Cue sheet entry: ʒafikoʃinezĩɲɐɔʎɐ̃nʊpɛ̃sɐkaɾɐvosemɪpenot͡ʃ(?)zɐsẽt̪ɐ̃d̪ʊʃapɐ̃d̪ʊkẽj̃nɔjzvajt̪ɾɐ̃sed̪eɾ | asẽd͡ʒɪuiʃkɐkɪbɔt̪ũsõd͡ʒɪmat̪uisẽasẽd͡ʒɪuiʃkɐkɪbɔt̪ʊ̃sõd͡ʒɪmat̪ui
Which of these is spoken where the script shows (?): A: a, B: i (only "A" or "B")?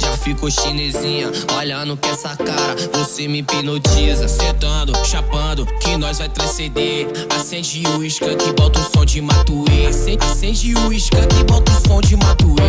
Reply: B